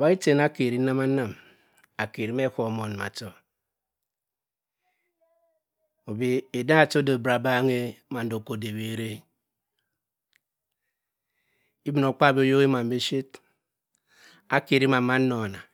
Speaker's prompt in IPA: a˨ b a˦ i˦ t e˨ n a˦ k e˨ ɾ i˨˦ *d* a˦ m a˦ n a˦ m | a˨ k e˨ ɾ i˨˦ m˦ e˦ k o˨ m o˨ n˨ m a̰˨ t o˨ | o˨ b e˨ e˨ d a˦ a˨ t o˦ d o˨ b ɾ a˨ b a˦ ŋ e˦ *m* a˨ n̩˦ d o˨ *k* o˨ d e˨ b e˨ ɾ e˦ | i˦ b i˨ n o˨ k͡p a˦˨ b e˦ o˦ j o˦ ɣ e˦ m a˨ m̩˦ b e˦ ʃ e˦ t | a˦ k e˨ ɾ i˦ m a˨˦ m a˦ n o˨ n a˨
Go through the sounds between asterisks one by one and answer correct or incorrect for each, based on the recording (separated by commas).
incorrect, correct, correct